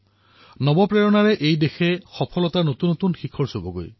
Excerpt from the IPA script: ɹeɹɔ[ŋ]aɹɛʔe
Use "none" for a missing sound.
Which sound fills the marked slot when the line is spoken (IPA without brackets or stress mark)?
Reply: n